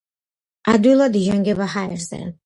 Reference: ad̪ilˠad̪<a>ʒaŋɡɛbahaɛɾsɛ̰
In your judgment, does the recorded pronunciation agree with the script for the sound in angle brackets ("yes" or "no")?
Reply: no